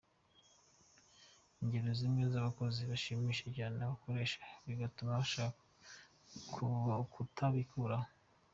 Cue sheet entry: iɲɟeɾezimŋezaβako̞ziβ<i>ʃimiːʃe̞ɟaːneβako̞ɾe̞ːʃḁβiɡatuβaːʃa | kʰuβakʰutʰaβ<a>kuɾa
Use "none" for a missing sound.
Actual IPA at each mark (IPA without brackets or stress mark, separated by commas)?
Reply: a, i